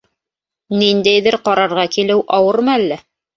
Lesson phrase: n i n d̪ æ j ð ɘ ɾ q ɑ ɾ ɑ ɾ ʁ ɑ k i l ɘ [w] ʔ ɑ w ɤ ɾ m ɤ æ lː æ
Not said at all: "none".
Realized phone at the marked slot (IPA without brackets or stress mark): w